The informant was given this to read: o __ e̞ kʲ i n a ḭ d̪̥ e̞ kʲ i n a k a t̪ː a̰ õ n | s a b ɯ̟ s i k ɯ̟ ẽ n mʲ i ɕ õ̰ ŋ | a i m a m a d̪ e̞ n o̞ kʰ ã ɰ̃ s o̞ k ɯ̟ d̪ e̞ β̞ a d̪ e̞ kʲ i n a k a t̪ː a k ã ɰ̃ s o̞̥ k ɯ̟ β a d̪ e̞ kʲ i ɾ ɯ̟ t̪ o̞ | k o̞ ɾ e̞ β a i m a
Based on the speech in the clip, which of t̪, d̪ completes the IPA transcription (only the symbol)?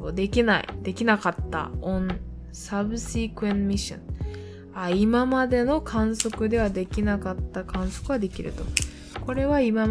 d̪